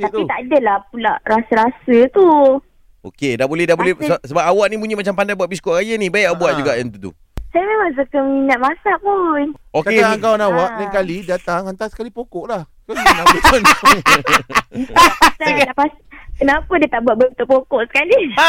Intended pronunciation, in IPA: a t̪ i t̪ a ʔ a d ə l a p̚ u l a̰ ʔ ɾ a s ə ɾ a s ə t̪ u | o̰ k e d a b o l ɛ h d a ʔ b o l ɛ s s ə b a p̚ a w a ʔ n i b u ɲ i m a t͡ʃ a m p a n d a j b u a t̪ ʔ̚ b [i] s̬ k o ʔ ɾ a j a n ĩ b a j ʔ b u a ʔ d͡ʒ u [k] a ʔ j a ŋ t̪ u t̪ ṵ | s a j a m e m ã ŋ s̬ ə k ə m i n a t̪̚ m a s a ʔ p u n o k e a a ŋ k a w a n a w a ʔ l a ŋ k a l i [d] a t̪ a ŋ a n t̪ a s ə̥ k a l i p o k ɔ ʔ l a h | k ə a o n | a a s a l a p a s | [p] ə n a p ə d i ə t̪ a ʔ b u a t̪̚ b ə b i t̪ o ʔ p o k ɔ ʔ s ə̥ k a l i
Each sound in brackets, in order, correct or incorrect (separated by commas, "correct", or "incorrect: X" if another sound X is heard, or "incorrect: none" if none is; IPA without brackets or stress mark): correct, incorrect: ɡ, correct, incorrect: k